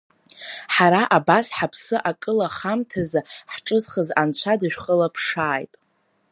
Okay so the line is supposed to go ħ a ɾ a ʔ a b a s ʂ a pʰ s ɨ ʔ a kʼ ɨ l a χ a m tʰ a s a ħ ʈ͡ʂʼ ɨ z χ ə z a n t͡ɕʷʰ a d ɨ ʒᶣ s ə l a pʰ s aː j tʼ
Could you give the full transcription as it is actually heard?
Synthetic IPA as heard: ħ a ɾ a ʔ a b a s ħ a pʰ s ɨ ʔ a kʼ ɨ l a χ a m tʰ a z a ħ ʈ͡ʂʼ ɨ z χ ə z a n t͡ɕʷʰ a d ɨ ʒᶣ χ ə l a pʰ ʂ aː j tʼ